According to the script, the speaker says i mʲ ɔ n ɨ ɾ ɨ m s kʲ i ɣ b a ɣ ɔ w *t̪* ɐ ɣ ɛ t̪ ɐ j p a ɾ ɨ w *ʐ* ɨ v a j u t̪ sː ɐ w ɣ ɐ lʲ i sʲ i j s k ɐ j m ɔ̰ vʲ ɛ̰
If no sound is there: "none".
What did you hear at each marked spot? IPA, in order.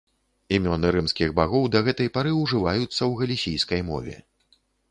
d̪, ʐ

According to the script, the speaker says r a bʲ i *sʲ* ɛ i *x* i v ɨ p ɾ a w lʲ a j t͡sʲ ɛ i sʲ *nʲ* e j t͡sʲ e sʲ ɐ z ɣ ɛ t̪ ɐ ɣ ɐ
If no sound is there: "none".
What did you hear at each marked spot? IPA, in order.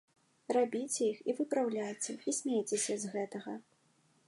t͡sʲ, x, mʲ

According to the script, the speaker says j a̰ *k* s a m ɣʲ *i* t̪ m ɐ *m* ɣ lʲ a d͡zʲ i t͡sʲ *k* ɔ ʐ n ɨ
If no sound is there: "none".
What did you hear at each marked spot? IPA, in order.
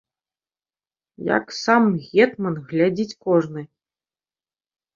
k, ɛ, n, k

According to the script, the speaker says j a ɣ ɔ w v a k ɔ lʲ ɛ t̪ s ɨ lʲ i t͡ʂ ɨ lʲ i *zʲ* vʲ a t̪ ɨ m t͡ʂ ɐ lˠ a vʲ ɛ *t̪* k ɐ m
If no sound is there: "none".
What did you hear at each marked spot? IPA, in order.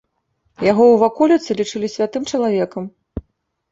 sʲ, none

